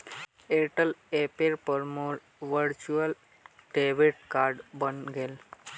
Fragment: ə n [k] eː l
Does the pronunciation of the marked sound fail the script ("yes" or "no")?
yes